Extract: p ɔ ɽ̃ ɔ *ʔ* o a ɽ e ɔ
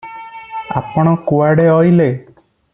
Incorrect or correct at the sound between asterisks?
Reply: incorrect: k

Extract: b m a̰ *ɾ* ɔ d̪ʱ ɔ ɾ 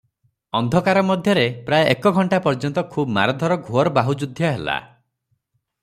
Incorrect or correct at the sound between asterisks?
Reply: correct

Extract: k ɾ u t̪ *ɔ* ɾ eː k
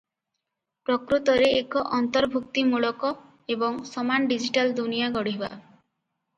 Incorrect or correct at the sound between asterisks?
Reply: correct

